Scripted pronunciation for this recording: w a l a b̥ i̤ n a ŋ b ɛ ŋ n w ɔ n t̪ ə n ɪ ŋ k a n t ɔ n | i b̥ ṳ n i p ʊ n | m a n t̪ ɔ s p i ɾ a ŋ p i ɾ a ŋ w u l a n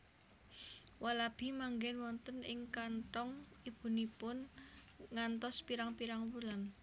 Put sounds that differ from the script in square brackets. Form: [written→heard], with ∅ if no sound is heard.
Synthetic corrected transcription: w a l a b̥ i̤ [n→m] a ŋ [b→ɡ] ɛ [ŋ→∅] n w ɔ n t̪ ə n ɪ ŋ k a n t ɔ [n→ŋ] | i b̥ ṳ n i p ʊ n | [m→ŋ] a n t̪ ɔ s p i ɾ a ŋ p i ɾ a ŋ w u l a n